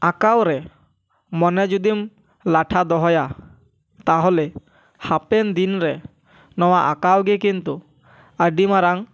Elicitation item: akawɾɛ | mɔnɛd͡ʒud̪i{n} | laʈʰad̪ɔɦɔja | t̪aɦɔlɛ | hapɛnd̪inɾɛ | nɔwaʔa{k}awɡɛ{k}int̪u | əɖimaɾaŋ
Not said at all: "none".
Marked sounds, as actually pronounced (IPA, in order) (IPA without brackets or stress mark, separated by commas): m, k, k